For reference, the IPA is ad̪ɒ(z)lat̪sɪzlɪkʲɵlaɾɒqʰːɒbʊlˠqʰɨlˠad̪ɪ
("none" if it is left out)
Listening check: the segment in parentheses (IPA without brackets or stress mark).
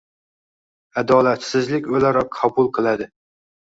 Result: none